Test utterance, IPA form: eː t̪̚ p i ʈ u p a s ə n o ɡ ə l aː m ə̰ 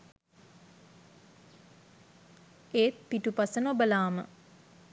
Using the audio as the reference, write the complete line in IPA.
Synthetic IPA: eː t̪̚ p i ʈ u p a s ə n o b ə l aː m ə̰